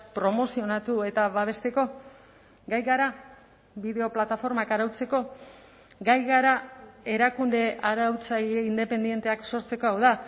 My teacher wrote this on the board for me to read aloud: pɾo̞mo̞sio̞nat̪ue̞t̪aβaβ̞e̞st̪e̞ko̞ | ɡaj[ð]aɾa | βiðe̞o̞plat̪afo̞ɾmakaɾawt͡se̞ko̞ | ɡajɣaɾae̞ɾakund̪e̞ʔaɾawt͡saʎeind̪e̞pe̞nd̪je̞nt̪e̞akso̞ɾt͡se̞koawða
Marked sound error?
yes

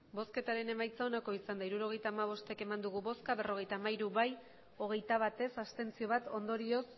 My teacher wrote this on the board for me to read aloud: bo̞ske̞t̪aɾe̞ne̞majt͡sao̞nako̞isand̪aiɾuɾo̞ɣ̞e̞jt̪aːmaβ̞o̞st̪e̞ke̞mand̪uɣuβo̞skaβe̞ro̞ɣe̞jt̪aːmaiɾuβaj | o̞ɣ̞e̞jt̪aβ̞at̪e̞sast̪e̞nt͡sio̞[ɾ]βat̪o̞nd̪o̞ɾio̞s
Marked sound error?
yes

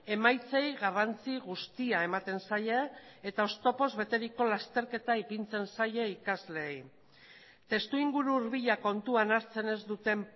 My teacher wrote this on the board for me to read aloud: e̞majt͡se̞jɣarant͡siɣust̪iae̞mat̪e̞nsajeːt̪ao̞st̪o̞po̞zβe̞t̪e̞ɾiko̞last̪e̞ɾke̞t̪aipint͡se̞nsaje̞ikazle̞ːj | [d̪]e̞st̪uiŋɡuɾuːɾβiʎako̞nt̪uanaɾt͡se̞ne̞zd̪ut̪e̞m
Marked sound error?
yes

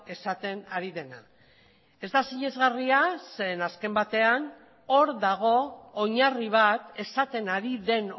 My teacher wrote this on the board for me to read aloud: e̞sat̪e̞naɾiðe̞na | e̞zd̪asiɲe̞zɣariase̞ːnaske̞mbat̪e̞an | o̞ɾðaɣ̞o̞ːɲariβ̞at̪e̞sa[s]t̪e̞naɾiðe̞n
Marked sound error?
yes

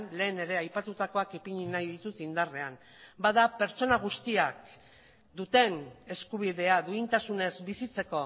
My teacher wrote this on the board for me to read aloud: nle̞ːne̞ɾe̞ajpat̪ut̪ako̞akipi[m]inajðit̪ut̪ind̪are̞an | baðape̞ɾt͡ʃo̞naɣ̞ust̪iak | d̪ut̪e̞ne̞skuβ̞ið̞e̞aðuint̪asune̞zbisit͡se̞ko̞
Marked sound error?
yes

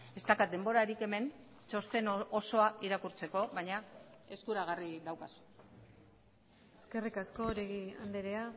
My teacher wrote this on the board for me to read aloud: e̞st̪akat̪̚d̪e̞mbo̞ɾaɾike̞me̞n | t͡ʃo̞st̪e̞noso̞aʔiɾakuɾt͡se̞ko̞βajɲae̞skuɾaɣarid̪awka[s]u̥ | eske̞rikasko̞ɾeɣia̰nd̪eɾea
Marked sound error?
no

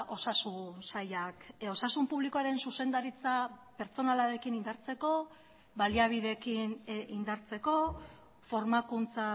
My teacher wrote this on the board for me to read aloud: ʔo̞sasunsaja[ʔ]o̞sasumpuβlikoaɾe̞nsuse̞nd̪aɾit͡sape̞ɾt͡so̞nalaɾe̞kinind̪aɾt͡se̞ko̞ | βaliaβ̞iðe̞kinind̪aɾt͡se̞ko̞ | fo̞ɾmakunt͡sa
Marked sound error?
yes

